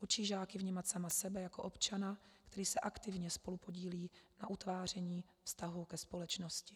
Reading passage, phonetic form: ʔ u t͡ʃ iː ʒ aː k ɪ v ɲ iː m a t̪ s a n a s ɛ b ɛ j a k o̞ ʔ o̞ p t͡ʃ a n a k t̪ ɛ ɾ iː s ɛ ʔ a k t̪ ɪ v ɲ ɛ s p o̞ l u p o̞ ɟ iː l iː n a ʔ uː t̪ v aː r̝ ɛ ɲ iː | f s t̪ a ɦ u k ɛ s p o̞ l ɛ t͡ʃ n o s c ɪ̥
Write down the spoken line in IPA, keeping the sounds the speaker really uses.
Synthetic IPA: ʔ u t͡ʃ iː ʒ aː k ɪ v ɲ iː m a t̪ s a m a s ɛ b ɛ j a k o̞ ʔ o̞ p t͡ʃ a n a k t̪ ɛ ɾ iː s ɛ ʔ a k t̪ ɪ v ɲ ɛ s p o̞ l u p o̞ ɟ iː l iː n a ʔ u t̪ v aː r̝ ɛ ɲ iː | f s t̪ a ɦ u k ɛ s p o̞ l ɛ t͡ʃ n o s c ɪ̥